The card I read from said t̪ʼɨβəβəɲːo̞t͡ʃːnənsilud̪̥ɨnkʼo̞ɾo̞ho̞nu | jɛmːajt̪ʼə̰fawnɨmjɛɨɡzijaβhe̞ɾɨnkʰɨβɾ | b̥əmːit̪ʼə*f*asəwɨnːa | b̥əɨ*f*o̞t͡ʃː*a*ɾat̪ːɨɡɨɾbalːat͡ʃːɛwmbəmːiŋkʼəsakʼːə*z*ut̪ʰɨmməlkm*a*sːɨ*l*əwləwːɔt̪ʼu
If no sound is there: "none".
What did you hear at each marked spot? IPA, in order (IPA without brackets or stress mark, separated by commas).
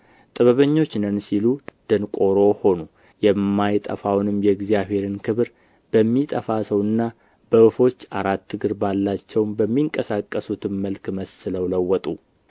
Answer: f, f, a, s, ə, l